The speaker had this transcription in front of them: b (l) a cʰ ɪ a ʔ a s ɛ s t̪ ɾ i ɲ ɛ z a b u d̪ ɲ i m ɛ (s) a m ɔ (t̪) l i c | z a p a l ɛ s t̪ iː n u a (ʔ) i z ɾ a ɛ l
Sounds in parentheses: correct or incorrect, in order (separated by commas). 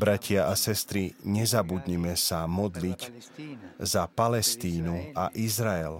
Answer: incorrect, correct, incorrect, correct